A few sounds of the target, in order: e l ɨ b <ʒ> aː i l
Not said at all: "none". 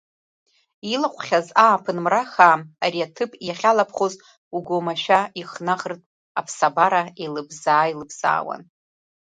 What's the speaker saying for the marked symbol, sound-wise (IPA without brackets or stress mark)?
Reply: z